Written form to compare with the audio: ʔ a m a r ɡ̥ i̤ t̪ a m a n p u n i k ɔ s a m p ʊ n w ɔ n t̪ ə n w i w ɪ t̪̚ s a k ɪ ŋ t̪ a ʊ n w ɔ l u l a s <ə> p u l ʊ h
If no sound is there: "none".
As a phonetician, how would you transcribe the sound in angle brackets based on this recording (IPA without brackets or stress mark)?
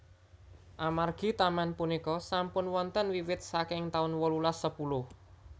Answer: ə